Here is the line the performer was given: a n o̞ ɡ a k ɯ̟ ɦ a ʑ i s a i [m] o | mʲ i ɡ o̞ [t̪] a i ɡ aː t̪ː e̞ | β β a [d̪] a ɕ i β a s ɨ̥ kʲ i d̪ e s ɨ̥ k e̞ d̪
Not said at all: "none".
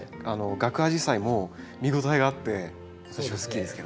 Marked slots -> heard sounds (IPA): m, t̪, t̪

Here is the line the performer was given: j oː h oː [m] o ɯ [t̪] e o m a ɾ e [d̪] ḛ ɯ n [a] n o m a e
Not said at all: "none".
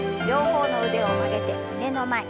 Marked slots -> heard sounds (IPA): n, d̪, t̪, e

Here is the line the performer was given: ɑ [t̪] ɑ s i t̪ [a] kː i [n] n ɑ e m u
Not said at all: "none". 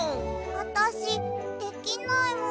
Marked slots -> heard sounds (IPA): t̪, e, n

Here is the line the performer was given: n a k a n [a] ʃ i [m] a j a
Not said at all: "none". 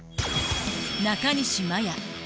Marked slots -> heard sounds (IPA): i, m

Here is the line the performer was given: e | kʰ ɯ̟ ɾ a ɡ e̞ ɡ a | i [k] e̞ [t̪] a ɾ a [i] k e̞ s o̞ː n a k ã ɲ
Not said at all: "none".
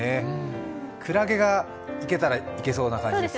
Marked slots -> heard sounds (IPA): k, t̪, i

